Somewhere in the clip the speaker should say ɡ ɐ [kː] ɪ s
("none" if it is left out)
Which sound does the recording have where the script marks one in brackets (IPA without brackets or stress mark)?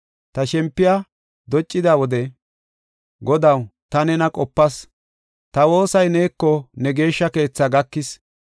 kː